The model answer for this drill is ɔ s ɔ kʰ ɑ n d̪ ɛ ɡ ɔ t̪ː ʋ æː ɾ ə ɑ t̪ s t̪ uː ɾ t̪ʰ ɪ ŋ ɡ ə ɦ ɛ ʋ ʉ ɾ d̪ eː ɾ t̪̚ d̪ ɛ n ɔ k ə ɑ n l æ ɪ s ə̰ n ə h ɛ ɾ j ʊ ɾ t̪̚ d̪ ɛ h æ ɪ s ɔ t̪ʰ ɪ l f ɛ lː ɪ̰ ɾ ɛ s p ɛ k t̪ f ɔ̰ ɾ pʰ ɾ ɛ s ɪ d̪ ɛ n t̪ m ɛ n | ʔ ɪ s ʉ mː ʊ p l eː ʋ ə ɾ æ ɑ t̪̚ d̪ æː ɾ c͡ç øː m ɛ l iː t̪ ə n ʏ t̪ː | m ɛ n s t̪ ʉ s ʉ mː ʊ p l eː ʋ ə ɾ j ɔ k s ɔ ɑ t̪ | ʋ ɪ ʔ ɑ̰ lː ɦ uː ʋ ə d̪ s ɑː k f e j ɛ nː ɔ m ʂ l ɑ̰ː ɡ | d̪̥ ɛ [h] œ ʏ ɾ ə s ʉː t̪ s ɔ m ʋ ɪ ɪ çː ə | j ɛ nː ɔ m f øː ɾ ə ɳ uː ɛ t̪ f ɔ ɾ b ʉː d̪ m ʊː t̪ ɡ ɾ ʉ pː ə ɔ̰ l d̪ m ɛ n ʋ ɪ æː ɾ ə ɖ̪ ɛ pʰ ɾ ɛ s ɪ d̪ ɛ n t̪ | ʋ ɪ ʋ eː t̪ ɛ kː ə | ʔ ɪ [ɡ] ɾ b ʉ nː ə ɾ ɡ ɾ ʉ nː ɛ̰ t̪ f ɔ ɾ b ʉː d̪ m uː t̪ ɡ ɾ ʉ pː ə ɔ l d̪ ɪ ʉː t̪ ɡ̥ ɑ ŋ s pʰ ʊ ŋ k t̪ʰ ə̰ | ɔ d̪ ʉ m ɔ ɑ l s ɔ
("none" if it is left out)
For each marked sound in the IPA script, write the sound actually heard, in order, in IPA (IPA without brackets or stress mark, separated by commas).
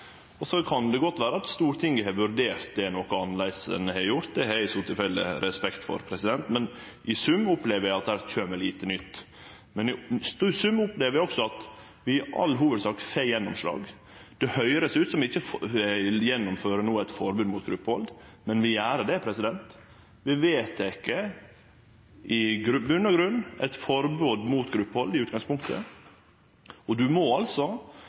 h, ɡ